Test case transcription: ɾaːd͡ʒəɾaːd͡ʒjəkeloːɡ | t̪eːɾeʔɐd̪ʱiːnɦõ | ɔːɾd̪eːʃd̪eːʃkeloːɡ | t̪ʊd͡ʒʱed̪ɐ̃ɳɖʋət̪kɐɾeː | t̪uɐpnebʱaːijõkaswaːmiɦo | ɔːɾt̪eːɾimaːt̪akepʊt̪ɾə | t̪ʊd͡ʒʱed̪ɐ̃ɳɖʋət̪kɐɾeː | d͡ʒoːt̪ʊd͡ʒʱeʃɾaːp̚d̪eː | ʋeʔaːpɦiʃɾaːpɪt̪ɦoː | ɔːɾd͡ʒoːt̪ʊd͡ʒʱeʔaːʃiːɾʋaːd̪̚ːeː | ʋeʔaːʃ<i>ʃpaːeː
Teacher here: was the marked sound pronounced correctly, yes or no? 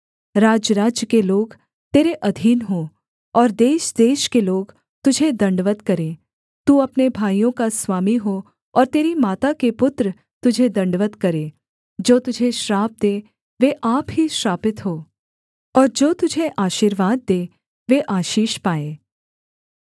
no